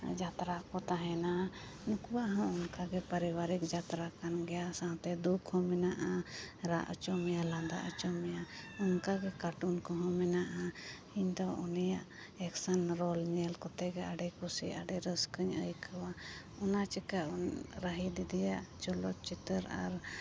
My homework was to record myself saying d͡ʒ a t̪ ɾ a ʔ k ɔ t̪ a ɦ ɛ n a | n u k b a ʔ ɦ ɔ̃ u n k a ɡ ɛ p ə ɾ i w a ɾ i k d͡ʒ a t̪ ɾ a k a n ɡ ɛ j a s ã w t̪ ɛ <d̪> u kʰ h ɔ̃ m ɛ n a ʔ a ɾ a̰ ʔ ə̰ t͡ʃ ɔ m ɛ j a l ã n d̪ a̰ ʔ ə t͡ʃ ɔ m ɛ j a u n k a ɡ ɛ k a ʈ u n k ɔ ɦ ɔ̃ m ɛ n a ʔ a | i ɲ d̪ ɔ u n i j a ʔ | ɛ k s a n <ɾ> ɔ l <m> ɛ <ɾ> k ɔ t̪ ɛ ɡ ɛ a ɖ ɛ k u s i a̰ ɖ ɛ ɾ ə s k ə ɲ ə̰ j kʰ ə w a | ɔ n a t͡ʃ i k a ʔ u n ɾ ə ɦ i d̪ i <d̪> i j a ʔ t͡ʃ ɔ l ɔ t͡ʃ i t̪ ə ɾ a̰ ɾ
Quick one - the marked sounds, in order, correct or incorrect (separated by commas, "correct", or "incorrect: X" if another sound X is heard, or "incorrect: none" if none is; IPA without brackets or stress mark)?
correct, correct, incorrect: ɲ, incorrect: l, correct